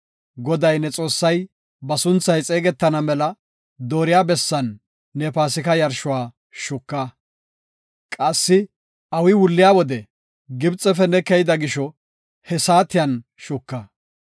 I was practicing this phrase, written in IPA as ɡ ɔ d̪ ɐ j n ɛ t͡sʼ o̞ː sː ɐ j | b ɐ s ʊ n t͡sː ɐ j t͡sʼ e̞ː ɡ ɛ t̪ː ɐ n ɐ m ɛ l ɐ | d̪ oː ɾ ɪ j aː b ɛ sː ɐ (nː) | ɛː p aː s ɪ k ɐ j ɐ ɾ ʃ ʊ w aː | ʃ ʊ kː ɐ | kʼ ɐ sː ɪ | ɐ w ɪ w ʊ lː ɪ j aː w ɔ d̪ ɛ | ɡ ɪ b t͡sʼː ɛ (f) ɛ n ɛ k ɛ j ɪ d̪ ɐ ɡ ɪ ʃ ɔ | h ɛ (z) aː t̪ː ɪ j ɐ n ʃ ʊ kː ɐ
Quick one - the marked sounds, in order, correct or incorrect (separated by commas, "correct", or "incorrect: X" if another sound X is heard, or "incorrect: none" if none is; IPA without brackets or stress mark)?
correct, correct, incorrect: s